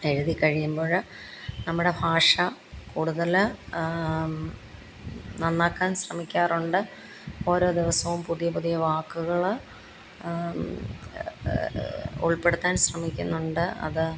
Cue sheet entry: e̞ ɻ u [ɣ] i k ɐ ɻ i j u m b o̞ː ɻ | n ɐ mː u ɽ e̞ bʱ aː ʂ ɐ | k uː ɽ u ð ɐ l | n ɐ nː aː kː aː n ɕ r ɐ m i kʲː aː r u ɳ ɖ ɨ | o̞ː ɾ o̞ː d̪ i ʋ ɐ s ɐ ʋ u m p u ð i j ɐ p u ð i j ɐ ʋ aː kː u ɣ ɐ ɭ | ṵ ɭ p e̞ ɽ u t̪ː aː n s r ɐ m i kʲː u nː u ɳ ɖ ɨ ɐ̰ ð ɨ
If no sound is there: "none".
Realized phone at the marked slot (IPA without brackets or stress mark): ð